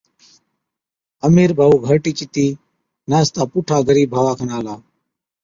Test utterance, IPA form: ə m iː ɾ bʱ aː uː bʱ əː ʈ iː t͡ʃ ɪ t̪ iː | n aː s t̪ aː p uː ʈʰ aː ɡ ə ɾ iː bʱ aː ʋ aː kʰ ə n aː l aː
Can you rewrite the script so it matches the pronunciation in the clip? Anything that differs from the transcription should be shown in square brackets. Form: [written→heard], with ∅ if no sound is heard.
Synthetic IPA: ə m iː ɾ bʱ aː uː [bʱ→ɡʱ] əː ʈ iː t͡ʃ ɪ t̪ iː | n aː s t̪ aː p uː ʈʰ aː ɡ ə ɾ iː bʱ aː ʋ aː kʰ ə n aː l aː